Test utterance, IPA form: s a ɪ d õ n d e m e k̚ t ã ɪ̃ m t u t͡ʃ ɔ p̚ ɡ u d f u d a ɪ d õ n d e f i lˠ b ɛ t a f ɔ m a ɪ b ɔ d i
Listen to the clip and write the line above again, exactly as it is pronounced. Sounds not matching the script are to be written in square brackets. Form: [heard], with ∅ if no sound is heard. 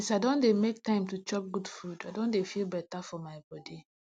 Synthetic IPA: s a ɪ d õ n d e m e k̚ t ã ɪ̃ m t u t͡ʃ ɔ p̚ ɡ u d f u d a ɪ d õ n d e f i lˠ b ɛ t a f ɔ m a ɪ b ɔ d i